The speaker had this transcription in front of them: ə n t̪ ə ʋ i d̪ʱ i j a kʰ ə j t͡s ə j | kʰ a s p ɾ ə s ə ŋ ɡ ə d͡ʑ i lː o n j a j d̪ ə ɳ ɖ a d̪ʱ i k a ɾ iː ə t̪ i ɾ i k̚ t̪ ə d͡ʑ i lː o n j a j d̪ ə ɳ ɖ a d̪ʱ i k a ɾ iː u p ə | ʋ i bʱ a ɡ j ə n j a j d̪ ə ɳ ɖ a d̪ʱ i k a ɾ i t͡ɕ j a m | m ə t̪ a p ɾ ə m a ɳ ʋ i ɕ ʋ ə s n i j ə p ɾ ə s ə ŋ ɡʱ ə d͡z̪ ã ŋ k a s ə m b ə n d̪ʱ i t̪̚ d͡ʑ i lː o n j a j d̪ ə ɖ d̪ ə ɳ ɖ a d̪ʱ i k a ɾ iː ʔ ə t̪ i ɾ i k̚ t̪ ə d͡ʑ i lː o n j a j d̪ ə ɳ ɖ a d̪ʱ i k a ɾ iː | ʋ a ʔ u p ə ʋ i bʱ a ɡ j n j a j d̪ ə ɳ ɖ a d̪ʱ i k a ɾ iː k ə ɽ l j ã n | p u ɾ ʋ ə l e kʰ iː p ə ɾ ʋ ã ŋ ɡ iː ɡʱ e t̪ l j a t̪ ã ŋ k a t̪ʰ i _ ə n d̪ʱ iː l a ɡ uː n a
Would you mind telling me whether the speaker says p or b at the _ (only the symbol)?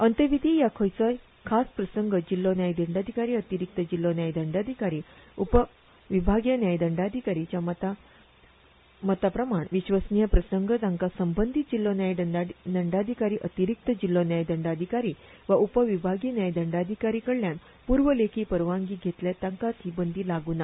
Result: b